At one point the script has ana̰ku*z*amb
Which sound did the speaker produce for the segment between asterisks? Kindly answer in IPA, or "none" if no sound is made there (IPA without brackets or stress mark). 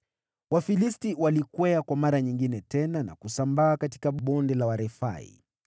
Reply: s